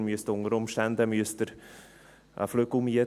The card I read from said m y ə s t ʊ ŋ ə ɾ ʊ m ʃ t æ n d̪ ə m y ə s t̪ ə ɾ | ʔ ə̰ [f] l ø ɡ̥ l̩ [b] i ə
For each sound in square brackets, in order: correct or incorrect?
correct, incorrect: m

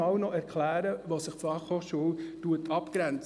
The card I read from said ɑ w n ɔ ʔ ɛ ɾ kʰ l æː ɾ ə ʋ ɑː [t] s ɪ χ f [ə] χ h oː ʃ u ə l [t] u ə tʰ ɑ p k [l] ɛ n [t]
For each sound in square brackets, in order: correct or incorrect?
incorrect: s, incorrect: ɑ, correct, incorrect: ɾ, incorrect: t͡s

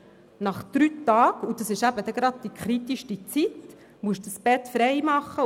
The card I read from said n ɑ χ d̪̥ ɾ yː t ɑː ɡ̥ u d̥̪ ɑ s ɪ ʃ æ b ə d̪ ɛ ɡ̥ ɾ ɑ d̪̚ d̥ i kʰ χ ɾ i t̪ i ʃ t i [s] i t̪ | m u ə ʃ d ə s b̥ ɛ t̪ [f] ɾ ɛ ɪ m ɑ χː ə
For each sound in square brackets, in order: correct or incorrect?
incorrect: t͡s, correct

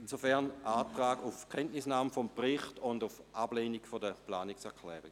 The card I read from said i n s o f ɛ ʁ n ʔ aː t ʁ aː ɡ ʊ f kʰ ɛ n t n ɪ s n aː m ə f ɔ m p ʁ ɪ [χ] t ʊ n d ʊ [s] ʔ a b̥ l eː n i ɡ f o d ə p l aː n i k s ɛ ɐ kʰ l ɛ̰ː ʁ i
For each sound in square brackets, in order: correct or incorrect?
correct, incorrect: f

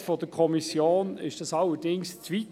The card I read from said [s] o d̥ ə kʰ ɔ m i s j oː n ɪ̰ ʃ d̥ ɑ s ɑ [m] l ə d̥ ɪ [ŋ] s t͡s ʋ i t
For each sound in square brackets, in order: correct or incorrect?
incorrect: f, incorrect: none, correct

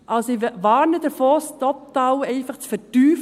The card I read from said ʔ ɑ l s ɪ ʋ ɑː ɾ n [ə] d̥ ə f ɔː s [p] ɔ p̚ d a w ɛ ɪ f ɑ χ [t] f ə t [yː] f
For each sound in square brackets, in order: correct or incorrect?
correct, incorrect: t, incorrect: t͡s, correct

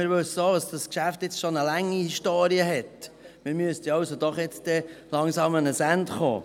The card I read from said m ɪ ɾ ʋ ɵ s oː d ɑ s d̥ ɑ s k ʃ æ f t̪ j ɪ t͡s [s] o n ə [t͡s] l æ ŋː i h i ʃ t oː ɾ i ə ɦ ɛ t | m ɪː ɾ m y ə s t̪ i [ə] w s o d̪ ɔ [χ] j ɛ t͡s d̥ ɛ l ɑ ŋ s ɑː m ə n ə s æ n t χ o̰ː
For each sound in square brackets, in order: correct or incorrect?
incorrect: ʃ, incorrect: none, incorrect: ɑ, correct

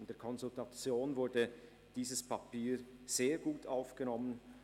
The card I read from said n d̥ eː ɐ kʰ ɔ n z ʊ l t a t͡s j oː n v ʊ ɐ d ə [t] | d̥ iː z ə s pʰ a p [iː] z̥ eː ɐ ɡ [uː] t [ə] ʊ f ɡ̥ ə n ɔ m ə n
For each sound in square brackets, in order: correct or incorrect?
incorrect: none, correct, correct, incorrect: a

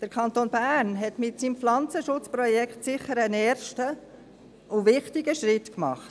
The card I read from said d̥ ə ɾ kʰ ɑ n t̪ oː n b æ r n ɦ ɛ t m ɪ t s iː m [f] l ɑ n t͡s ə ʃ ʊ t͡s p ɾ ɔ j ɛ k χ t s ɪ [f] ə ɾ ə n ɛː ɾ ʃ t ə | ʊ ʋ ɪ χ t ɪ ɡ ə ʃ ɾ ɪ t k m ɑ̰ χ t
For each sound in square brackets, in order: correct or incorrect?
correct, incorrect: χ

